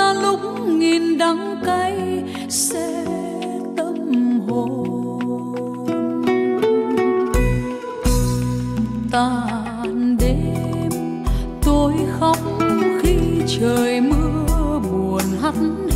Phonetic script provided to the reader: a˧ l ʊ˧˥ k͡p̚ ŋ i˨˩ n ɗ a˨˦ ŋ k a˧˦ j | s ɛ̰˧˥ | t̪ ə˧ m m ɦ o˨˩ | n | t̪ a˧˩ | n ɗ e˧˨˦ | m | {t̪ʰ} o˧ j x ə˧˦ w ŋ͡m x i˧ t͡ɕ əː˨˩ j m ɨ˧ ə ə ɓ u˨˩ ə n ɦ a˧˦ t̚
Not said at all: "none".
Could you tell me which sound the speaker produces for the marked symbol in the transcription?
t̪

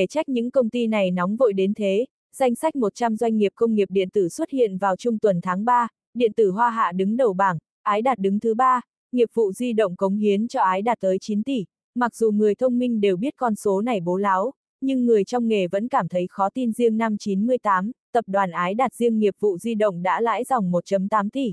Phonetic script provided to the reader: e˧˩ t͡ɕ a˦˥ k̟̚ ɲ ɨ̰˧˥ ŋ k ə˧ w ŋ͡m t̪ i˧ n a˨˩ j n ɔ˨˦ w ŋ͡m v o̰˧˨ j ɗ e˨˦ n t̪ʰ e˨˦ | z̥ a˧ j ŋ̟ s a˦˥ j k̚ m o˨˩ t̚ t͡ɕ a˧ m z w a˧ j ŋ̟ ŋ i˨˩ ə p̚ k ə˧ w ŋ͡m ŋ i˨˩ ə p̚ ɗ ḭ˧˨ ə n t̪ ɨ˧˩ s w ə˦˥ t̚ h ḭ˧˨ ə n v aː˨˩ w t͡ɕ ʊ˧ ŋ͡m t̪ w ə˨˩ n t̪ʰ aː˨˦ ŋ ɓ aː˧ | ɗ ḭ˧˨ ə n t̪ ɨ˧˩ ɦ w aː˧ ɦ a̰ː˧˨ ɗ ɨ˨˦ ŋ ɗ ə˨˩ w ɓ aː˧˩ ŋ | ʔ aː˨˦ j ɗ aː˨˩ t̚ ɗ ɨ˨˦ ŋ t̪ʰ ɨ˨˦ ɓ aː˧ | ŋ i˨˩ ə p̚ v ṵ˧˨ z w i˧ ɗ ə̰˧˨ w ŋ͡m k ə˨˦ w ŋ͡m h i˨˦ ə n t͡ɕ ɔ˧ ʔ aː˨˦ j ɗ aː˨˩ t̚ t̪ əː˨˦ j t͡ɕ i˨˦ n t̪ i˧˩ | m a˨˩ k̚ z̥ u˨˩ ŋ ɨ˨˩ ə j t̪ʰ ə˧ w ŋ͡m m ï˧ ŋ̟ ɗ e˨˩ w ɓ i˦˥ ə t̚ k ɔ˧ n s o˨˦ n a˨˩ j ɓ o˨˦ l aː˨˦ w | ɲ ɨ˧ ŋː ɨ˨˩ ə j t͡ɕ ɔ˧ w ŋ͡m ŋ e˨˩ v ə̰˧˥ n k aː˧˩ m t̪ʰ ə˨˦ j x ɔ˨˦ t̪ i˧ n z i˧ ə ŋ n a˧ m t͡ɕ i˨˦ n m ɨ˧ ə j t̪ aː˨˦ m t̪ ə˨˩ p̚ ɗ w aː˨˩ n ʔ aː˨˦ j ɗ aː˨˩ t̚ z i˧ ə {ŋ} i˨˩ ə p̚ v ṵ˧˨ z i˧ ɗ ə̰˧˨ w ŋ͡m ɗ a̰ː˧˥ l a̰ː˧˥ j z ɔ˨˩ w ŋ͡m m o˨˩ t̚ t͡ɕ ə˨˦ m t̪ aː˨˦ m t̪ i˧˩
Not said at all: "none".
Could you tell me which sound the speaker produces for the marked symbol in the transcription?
ŋː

